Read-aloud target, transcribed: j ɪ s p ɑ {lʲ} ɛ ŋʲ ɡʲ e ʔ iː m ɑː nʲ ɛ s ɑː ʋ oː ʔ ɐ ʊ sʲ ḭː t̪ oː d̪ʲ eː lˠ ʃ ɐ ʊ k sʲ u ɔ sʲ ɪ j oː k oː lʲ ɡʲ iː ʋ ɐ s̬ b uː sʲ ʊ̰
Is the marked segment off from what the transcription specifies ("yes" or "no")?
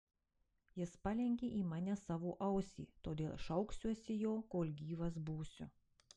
no